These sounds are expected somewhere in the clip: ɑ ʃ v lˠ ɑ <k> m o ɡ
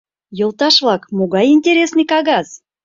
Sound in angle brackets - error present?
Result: no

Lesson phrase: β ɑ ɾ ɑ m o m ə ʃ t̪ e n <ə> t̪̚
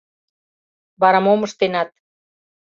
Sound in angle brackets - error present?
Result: yes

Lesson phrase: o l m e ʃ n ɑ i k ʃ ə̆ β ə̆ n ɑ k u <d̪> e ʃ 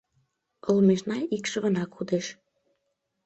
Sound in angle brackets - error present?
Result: no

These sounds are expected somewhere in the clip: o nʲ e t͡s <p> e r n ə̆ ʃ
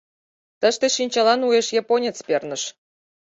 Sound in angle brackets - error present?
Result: no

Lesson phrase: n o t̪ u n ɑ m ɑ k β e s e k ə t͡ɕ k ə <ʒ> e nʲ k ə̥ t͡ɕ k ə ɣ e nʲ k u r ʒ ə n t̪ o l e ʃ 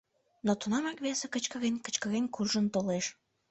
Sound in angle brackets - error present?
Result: yes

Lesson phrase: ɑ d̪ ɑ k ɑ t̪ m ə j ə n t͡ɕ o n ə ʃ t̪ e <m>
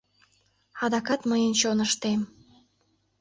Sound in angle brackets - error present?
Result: no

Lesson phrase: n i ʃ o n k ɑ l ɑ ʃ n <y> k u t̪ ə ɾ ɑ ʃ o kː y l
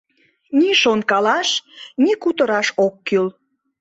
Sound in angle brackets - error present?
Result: yes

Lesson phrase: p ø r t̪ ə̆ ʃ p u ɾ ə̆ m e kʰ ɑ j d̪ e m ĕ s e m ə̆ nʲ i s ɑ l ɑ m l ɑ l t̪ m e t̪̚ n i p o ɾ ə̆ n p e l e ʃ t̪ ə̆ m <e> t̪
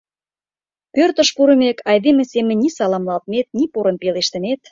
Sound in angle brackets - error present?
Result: no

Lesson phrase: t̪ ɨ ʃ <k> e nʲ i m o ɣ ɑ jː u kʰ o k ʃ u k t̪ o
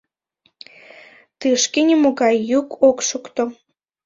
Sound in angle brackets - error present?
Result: no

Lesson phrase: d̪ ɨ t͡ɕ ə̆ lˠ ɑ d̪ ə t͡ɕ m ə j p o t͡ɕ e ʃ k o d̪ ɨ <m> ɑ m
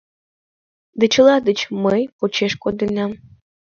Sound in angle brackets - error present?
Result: yes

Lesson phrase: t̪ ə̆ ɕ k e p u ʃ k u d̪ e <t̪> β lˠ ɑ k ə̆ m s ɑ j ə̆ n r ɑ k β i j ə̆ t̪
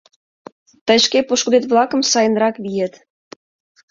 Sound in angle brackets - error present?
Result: no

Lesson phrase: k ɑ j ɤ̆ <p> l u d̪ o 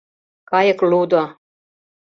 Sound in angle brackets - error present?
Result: yes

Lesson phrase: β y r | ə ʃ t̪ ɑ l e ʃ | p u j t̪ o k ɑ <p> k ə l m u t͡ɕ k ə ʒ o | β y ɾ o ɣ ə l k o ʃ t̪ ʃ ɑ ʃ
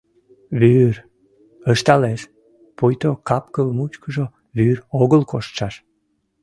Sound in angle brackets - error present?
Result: no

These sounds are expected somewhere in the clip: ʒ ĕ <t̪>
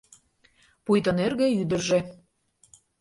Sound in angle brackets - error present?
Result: yes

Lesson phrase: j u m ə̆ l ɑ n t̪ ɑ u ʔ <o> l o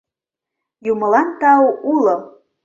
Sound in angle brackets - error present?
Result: yes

